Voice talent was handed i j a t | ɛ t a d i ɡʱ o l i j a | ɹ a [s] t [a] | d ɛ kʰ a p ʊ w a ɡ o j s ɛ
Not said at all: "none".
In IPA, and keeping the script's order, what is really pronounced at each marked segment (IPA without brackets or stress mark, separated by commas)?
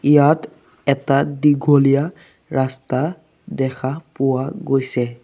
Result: s, a